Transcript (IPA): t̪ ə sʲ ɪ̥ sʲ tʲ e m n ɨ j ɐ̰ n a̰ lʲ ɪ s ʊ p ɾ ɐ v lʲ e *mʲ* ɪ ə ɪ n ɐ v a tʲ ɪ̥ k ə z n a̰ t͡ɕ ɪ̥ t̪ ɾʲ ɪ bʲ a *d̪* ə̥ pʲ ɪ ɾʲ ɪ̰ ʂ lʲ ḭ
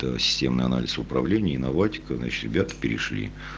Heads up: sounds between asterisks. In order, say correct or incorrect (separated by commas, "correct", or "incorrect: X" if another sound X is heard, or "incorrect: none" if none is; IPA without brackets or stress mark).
incorrect: nʲ, incorrect: t̪